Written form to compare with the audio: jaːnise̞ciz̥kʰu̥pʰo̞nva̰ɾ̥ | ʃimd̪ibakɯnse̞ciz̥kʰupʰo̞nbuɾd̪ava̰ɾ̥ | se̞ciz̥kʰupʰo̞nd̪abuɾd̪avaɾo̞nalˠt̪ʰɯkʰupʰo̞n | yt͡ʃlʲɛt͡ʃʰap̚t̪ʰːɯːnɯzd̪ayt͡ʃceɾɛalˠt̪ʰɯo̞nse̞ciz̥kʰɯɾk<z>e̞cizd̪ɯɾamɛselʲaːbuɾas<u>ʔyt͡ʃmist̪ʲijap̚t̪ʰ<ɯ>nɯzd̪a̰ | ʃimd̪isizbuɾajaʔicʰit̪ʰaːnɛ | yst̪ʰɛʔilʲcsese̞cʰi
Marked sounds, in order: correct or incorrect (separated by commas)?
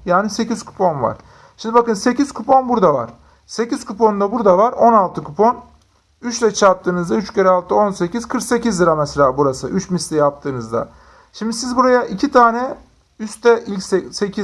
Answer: incorrect, incorrect, incorrect